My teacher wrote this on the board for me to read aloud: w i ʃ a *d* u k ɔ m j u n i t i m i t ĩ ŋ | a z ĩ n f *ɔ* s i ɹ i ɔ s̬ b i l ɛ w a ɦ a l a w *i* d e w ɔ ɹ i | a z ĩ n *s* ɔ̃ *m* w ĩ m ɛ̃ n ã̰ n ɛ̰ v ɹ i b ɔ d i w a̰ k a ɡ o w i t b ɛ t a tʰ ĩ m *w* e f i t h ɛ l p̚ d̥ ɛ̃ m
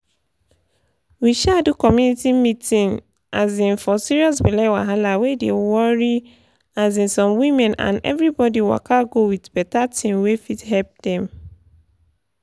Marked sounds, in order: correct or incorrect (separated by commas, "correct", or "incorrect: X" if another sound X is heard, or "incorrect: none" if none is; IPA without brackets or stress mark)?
correct, correct, incorrect: e, correct, correct, correct